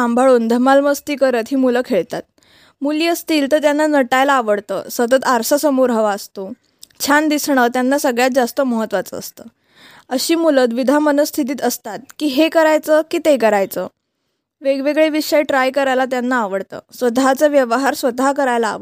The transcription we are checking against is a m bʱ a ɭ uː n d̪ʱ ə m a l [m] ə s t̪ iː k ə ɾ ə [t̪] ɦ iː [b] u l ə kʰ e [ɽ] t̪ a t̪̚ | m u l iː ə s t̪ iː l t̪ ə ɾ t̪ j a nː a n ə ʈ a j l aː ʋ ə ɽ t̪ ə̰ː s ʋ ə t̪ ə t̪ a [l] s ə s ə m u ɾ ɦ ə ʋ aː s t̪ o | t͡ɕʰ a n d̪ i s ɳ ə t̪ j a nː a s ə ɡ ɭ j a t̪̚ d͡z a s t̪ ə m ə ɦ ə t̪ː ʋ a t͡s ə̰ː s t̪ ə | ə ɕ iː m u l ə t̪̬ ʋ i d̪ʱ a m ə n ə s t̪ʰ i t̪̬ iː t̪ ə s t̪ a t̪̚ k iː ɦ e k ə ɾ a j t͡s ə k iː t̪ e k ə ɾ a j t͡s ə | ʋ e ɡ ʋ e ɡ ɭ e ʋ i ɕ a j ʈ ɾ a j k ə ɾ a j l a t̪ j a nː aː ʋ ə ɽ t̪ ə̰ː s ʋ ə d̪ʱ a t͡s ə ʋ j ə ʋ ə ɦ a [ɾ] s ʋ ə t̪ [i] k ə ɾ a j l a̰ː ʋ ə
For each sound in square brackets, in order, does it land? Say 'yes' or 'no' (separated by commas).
yes, yes, no, no, no, yes, no